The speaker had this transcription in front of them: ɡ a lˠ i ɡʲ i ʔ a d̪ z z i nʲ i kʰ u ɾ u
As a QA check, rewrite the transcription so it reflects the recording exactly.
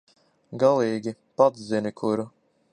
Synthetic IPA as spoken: ɡ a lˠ iː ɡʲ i p a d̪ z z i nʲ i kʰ u ɾ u